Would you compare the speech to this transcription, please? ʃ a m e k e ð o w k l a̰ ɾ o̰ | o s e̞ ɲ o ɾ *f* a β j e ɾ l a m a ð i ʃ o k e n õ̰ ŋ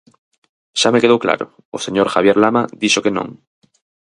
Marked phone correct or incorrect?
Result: incorrect